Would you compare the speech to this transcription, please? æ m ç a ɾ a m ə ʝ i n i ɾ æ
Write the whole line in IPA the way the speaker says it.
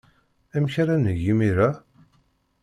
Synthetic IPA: æ m ç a ɾ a n ə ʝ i m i ɾ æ